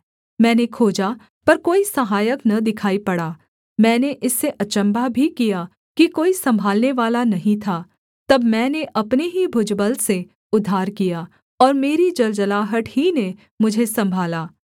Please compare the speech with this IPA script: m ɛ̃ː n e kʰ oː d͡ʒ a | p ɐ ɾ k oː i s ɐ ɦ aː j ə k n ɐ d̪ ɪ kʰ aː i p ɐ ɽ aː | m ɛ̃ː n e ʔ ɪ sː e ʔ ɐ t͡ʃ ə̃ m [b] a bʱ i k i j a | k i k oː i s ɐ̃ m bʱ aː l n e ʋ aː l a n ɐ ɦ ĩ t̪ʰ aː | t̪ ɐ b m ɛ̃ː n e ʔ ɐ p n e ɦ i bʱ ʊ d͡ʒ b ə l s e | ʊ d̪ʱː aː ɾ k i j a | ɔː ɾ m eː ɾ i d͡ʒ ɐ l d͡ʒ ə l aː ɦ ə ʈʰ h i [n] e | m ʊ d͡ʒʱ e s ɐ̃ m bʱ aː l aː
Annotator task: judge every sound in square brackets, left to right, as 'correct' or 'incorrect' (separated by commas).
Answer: correct, correct